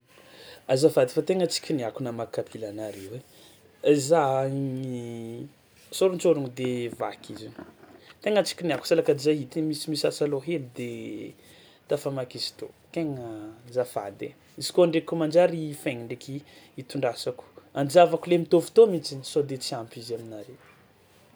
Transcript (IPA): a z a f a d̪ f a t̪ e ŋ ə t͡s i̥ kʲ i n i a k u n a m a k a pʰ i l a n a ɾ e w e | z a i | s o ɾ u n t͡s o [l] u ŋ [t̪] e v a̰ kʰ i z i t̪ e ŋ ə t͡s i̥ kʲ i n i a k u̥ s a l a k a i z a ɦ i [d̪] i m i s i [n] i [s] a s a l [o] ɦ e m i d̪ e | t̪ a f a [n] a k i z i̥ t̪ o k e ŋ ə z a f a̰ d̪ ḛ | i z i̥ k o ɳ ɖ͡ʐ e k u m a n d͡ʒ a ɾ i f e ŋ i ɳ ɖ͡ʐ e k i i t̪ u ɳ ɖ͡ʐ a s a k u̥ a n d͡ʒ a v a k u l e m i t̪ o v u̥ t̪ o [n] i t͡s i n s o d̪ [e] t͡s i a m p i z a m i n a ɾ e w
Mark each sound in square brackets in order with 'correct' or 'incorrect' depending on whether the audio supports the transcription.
incorrect, incorrect, incorrect, incorrect, correct, correct, incorrect, incorrect, correct

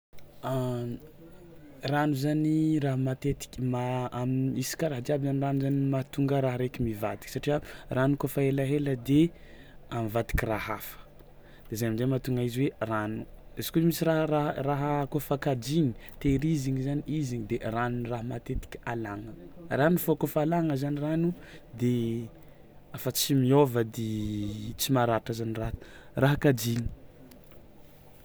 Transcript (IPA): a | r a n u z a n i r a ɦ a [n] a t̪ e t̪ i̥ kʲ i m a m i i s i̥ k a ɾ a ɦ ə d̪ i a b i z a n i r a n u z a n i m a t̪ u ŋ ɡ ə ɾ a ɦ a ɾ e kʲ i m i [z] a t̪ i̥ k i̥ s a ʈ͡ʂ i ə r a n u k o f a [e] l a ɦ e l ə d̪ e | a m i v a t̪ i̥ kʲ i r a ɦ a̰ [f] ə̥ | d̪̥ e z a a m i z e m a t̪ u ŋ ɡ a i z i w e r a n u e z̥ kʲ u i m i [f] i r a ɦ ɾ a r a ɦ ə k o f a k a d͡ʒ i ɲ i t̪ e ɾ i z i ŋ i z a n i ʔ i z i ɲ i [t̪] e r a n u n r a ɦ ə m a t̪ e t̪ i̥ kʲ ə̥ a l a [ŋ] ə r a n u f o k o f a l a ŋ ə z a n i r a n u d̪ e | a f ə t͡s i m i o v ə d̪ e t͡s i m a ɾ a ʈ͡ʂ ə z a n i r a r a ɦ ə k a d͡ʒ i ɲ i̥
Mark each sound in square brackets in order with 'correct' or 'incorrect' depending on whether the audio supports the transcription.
incorrect, incorrect, correct, correct, incorrect, incorrect, correct

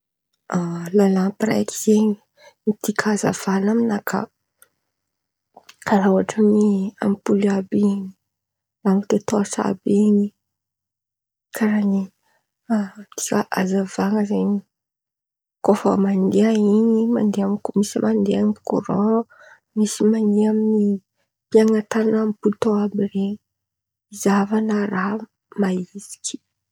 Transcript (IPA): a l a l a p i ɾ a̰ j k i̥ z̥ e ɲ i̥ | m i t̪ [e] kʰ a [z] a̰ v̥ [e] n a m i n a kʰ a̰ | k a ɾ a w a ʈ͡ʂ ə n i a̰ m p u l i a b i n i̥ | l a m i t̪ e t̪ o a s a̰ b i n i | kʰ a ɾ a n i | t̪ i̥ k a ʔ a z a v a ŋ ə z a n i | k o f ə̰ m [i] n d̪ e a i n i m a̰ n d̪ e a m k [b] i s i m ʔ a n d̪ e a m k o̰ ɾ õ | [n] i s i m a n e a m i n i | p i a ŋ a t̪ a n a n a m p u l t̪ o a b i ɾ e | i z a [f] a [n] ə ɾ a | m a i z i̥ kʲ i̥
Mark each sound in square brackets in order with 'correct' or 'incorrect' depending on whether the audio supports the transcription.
incorrect, correct, incorrect, incorrect, incorrect, incorrect, incorrect, correct

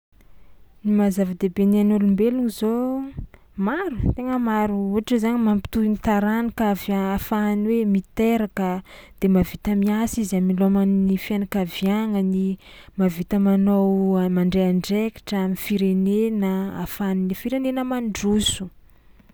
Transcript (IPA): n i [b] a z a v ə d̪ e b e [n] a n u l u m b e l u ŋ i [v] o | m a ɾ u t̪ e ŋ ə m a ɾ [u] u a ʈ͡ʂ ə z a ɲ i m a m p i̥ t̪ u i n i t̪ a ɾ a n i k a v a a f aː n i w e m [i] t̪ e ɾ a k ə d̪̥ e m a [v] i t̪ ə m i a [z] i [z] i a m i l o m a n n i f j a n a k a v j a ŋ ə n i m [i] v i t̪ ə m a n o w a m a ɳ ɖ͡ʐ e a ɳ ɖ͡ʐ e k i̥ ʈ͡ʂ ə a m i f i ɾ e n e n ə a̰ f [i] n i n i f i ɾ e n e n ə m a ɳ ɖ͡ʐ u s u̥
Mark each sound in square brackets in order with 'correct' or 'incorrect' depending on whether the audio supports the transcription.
incorrect, correct, incorrect, correct, correct, correct, incorrect, correct, incorrect, incorrect

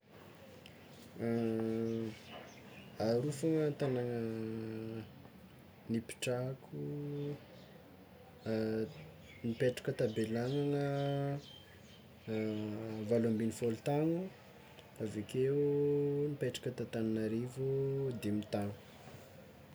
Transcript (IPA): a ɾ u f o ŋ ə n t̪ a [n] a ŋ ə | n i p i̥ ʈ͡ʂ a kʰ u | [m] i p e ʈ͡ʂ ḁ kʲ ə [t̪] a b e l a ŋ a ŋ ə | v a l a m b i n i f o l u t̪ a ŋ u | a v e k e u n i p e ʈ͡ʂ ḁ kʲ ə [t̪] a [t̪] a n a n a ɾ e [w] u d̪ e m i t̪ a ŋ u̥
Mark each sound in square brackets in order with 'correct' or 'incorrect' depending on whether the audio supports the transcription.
correct, incorrect, correct, correct, correct, incorrect

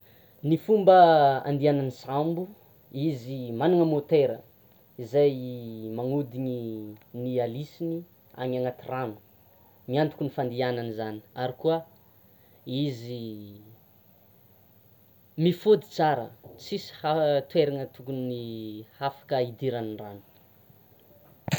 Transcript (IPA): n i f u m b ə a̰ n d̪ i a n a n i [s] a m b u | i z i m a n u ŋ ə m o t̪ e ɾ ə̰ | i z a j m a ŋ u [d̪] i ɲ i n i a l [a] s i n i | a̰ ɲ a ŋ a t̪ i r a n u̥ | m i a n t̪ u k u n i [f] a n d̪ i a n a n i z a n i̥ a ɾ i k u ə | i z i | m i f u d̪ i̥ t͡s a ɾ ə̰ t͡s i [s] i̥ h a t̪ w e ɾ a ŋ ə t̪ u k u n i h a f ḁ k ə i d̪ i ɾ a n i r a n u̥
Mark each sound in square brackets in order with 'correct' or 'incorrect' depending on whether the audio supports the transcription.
correct, correct, incorrect, correct, correct

